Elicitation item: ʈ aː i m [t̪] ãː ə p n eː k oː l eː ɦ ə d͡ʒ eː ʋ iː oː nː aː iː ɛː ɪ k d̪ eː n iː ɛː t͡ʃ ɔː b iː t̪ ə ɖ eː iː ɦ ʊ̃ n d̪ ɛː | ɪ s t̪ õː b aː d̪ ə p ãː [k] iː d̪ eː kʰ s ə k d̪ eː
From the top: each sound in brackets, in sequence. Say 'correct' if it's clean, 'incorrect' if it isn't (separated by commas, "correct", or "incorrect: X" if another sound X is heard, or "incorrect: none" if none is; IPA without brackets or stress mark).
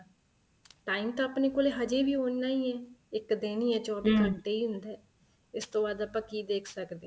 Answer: correct, correct